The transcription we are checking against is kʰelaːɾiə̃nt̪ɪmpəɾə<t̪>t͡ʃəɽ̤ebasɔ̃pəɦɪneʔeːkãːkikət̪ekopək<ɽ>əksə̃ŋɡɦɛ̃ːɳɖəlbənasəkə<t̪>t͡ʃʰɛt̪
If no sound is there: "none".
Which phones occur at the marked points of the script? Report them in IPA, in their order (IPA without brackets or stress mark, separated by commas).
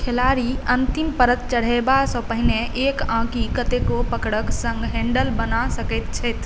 t̪, ɽ, t̪